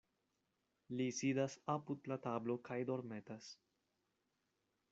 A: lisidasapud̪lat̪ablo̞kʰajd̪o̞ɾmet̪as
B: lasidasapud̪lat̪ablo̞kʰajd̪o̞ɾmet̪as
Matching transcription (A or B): A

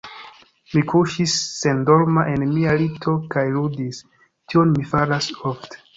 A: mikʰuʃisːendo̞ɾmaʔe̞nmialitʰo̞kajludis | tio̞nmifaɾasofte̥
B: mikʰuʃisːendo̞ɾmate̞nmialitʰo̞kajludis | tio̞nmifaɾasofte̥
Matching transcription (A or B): A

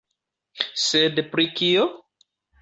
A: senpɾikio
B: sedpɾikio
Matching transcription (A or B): B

